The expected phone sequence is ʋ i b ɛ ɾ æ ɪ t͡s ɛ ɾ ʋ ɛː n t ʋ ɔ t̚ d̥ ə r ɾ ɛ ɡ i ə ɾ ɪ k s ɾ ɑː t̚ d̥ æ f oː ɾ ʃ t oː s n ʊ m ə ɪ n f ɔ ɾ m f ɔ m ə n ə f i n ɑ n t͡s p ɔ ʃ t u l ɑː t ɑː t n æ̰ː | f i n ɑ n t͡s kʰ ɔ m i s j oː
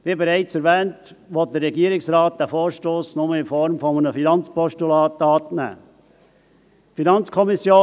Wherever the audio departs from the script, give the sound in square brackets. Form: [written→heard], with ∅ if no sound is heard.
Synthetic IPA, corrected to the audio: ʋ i b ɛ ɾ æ ɪ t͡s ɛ ɾ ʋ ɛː n t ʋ ɔ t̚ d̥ ə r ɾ ɛ ɡ i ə ɾ ɪ k s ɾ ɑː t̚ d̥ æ f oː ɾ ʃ t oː s n ʊ m ə ɪ n f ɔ ɾ m f ɔ m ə n ə f i n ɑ n t͡s p ɔ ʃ t u l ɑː t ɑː t n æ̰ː | f i n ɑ n t͡s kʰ ɔ m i s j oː